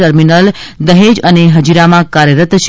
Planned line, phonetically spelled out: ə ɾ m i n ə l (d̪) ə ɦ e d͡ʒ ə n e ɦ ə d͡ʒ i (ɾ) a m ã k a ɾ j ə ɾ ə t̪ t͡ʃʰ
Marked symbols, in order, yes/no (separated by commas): yes, yes